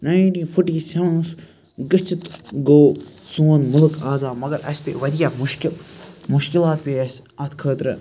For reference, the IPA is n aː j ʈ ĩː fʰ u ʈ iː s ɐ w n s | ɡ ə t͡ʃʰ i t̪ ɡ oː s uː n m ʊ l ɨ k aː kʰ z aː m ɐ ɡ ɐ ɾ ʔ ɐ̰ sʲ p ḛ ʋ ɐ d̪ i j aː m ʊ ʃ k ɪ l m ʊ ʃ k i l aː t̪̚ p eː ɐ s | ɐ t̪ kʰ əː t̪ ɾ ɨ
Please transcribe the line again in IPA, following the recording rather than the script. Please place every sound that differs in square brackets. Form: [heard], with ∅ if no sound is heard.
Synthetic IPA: n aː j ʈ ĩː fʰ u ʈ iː s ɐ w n s | ɡ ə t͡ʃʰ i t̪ ɡ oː s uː n m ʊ l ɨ k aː [∅] z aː m ɐ ɡ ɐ ɾ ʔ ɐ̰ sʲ p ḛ ʋ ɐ d̪ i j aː m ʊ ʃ k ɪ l m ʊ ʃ k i l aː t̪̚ p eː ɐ s | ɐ t̪ kʰ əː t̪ ɾ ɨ